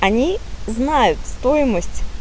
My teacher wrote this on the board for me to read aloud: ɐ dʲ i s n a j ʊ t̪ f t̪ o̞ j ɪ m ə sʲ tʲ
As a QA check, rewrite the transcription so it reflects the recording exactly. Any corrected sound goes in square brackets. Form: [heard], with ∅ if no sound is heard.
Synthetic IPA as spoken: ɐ [nʲ] i [z] n a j ʊ t̪ [s] t̪ o̞ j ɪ m ə sʲ tʲ